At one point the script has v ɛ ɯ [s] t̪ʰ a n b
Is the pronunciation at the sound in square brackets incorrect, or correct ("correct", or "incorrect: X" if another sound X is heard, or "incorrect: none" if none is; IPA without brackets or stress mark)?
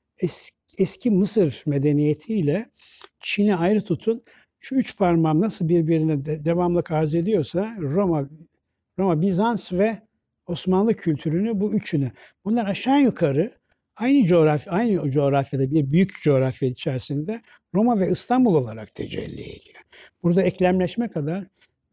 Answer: correct